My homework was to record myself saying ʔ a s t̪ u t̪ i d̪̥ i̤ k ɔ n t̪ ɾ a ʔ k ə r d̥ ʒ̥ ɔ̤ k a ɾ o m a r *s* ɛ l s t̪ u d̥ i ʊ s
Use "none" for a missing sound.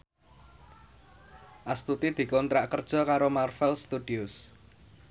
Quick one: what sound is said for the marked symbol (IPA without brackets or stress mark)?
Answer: f